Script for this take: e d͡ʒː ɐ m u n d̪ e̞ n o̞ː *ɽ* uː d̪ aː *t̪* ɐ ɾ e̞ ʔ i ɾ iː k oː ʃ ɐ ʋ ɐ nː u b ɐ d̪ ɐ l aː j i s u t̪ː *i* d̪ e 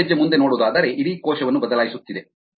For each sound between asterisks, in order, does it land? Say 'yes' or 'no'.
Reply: yes, no, yes

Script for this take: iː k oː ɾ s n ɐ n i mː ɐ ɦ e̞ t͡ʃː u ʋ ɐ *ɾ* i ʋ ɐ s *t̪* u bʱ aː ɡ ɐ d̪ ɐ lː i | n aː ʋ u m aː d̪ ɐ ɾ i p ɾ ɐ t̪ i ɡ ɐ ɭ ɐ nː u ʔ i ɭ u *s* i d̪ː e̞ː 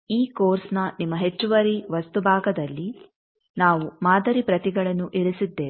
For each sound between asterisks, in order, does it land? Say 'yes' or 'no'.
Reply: yes, yes, yes

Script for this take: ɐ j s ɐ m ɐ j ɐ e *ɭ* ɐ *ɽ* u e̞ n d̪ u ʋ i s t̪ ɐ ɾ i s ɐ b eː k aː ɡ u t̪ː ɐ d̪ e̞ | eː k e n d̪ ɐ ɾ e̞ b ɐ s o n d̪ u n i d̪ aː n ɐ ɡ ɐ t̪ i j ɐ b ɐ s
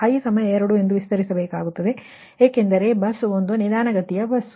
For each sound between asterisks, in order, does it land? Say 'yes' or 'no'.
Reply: no, yes

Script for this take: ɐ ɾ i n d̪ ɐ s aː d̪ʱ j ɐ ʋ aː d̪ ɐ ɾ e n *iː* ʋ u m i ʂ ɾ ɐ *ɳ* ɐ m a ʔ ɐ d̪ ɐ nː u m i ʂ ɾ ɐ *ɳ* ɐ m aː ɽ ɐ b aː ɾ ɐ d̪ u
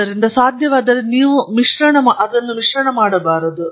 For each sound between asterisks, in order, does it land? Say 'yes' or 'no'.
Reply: yes, yes, yes

